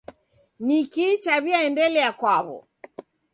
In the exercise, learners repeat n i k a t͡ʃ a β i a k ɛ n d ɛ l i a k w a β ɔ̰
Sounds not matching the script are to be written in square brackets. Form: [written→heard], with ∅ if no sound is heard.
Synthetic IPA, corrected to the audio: n i k [a→i] t͡ʃ a β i a [k→∅] ɛ n d ɛ l [i→ɛ] a k w a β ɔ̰